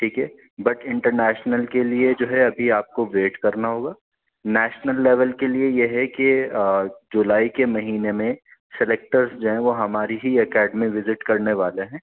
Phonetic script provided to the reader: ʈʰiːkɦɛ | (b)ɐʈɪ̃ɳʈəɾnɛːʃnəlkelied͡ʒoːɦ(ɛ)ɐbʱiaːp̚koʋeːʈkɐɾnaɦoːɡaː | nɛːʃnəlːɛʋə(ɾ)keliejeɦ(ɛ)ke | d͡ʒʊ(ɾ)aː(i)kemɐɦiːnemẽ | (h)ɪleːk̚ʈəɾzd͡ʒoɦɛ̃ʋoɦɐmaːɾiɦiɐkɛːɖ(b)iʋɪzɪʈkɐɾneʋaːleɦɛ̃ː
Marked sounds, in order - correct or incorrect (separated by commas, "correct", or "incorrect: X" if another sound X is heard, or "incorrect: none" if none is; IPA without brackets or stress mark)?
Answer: correct, correct, incorrect: l, correct, incorrect: l, correct, incorrect: s, incorrect: m